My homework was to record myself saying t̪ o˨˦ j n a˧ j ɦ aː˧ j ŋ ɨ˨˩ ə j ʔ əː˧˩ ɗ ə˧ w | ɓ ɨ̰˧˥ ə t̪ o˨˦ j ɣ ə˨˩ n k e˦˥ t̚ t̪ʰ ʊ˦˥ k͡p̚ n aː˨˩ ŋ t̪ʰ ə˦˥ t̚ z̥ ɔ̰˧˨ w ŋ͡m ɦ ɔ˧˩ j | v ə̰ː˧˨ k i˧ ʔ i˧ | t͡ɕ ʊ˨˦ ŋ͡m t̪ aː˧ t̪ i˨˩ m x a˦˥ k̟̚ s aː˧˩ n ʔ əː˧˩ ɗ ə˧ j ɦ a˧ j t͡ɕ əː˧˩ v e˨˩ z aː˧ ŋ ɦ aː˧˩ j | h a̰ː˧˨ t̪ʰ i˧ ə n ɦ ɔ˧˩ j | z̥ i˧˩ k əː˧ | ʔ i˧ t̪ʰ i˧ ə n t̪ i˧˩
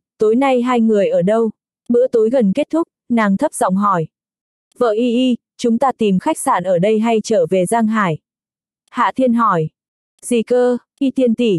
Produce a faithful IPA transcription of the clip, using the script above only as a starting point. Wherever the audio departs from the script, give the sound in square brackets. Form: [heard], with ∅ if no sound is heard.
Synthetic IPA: t̪ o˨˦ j n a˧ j ɦ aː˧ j ŋ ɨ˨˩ ə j ʔ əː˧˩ ɗ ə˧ w | ɓ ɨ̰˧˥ ə t̪ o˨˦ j ɣ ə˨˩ n k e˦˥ t̚ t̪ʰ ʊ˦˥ k͡p̚ n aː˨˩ ŋ t̪ʰ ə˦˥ [p̚] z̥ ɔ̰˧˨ w ŋ͡m ɦ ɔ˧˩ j | v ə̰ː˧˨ [ʔ] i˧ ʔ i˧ | t͡ɕ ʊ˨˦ ŋ͡m t̪ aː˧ t̪ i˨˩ m x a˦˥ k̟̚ s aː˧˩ n ʔ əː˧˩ ɗ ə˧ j ɦ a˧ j t͡ɕ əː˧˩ v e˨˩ z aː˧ ŋ ɦ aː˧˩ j | h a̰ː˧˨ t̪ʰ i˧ ə n ɦ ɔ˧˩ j | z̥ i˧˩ k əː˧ | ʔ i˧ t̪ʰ i˧ ə n t̪ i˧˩